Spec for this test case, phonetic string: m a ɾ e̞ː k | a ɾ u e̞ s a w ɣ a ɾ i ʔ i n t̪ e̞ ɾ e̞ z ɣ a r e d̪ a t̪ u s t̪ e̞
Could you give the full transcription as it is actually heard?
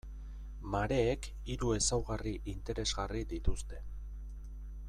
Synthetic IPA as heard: m a ɾ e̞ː k | i ɾ u e̞ s a w ɣ a r i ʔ i n t̪ e̞ ɾ e̞ z ɣ a r i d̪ i t̪ u s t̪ e̞